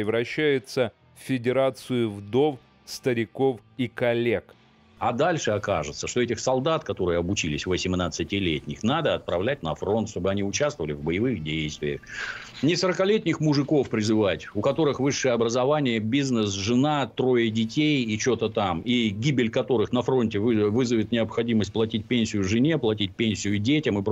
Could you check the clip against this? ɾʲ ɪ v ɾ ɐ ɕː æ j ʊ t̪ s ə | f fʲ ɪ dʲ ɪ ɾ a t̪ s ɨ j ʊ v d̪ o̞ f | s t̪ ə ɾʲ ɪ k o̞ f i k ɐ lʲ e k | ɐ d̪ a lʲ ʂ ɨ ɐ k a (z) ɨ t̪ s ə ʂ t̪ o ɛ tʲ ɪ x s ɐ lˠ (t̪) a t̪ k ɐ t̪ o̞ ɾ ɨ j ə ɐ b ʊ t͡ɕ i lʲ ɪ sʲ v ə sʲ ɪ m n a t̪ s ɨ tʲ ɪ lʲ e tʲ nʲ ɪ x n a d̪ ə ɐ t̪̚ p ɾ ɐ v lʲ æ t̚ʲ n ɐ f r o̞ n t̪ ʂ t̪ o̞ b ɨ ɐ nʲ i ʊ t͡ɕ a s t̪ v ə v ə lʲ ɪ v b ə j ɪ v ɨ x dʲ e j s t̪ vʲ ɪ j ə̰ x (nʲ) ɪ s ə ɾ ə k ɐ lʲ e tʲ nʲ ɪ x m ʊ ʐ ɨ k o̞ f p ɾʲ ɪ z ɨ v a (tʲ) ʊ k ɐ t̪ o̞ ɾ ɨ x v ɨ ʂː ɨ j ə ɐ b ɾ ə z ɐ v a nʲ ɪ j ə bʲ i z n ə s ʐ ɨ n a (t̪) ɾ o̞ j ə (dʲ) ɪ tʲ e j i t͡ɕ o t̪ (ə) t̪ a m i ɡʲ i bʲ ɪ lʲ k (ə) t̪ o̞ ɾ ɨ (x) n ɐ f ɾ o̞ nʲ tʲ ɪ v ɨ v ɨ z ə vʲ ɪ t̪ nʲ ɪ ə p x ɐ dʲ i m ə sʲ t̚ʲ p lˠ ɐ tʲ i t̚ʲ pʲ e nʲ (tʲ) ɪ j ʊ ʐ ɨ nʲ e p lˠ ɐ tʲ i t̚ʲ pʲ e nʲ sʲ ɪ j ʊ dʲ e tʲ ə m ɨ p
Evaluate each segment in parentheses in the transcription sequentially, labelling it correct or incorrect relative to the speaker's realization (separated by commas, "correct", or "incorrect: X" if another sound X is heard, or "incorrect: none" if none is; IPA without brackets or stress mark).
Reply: incorrect: ʐ, incorrect: d̪, correct, correct, correct, correct, correct, incorrect: ɐ, correct, incorrect: sʲ